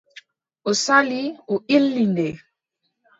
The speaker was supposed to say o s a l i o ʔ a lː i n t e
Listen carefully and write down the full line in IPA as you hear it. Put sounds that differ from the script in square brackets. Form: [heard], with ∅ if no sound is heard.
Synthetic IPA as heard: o s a l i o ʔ [i] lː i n [d] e